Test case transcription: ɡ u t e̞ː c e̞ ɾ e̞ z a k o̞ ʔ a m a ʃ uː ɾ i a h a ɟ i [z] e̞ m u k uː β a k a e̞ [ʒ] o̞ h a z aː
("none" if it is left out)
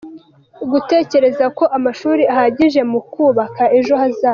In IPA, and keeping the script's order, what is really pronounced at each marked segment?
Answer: ʒ, ʒ

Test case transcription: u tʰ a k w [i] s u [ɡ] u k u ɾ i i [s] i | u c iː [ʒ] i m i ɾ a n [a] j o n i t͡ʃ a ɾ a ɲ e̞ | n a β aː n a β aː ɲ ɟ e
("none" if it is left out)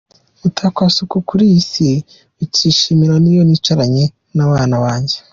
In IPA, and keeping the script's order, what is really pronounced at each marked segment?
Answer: a, k, s, ʃ, i

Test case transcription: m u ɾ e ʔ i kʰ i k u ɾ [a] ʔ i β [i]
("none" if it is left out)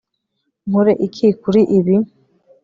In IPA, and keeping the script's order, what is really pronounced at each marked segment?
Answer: i, i

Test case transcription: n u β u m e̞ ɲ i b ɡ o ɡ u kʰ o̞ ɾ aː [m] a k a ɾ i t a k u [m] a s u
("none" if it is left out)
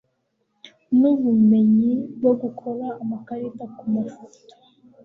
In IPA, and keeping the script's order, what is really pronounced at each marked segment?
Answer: m, m

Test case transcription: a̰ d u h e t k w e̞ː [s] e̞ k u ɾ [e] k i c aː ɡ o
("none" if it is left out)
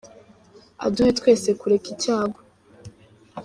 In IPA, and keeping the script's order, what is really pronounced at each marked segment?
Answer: s, e

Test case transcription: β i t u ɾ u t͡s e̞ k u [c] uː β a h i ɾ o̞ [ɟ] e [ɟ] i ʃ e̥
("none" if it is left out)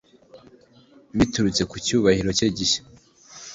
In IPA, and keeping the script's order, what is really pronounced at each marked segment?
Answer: c, c, ɟ

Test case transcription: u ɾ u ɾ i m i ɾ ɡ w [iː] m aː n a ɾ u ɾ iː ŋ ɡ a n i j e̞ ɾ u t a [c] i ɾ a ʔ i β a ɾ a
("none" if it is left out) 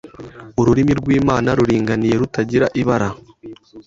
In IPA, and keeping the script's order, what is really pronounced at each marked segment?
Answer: iː, ɟ

